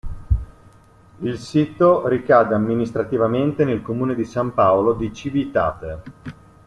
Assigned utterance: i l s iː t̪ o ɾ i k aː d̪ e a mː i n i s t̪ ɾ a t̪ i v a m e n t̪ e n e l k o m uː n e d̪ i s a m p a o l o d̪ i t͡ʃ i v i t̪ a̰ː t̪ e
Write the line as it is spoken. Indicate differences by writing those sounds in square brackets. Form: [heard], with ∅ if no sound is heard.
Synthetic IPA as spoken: i l s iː t̪ o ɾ i k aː d̪ e a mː i n i s t̪ ɾ a t̪ i v a m e n t̪ e n e l k o m uː n e d̪ i s a m p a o l o d̪ i t͡ʃ i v i t̪ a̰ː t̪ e

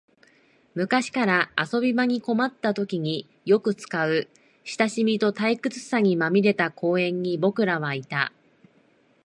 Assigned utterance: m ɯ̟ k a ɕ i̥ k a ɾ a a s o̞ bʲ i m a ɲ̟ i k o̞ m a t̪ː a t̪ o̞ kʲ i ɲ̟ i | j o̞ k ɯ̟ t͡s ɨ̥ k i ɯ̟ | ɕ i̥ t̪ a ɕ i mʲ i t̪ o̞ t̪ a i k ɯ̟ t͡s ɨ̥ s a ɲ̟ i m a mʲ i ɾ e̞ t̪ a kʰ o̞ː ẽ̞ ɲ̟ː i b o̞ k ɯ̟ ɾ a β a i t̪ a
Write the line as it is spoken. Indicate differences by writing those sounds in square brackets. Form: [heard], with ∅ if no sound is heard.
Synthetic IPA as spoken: m ɯ̟ k a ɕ i̥ k a ɾ a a s o̞ bʲ i m a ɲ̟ i k o̞ m a t̪ː a t̪ o̞ kʲ i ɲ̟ i | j o̞ k ɯ̟ t͡s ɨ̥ k [a] ɯ̟ | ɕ i̥ t̪ a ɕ i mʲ i t̪ o̞ t̪ a i k ɯ̟ t͡s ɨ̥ s a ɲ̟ i m a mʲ i ɾ e̞ t̪ a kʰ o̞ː ẽ̞ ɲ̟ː i b o̞ k ɯ̟ ɾ a β a i t̪ a

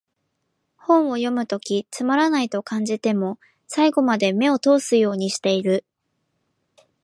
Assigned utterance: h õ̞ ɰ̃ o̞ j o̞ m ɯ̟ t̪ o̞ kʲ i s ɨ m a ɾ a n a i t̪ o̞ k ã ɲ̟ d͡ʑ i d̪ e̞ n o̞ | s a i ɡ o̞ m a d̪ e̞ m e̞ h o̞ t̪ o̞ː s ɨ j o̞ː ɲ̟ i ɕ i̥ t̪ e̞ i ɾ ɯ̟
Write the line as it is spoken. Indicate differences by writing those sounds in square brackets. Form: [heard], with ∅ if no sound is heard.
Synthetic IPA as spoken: h õ̞ ɰ̃ o̞ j o̞ m ɯ̟ t̪ o̞ kʲ i [t͡s] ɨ m a ɾ a n a i t̪ o̞ k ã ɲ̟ d͡ʑ i [t̪] e̞ [m] o̞ | s a i ɡ o̞ m a d̪ e̞ m e̞ [∅] o̞ t̪ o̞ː s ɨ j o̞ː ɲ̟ i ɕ i̥ t̪ e̞ i ɾ ɯ̟

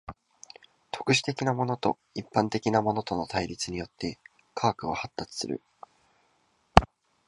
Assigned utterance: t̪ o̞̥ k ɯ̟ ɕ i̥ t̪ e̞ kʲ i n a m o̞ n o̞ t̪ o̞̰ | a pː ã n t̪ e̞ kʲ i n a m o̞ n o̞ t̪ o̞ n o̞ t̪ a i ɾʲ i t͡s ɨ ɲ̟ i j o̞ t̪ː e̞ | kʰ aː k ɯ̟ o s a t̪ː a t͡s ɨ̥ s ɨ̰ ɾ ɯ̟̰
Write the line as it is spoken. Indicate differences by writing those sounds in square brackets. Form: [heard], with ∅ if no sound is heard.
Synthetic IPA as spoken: t̪ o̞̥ k ɯ̟ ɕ i̥ t̪ e̞ kʲ i n a m o̞ n o̞ t̪ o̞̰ | [i] pː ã n t̪ e̞ kʲ i n a m o̞ n o̞ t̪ o̞ n o̞ t̪ a i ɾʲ i t͡s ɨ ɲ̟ i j o̞ t̪ː e̞ | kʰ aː k ɯ̟ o [h] a t̪ː a t͡s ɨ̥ s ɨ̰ ɾ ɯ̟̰

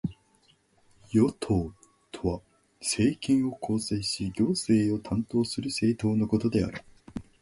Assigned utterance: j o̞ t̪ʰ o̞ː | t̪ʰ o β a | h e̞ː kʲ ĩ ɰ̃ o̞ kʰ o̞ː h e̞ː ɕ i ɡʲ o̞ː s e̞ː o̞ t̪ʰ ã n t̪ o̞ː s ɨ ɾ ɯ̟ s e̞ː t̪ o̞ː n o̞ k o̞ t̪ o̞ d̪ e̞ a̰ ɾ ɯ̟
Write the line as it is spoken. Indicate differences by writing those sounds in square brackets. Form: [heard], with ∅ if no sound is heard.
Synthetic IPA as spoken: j o̞ t̪ʰ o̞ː | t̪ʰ o β a | [s] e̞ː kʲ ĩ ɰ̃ o̞ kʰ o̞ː [s] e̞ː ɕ i ɡʲ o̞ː s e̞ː o̞ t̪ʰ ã n t̪ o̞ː s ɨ ɾ ɯ̟ s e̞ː t̪ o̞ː n o̞ k o̞ t̪ o̞ d̪ e̞ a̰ ɾ ɯ̟

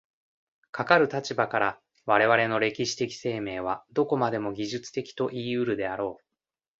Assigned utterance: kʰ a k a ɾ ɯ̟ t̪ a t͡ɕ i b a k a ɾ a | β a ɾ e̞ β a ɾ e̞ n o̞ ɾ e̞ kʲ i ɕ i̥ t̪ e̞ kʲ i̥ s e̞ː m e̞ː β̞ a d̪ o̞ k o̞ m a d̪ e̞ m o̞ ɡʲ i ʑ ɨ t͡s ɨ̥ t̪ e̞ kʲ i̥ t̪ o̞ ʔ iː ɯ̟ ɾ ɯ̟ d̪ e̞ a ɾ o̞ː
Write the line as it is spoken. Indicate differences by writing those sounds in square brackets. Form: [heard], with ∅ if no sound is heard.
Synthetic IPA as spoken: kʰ a k a ɾ ɯ̟ t̪ a t͡ɕ i b a k a ɾ a | β a ɾ e̞ β a ɾ e̞ n o̞ ɾ e̞ kʲ i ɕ i̥ t̪ e̞ kʲ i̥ s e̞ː m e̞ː β̞ a d̪ o̞ k o̞ m a d̪ e̞ m o̞ ɡʲ i ʑ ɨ t͡s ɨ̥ t̪ e̞ kʲ i̥ t̪ o̞ ʔ iː ɯ̟ ɾ ɯ̟ d̪ e̞ a ɾ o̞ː

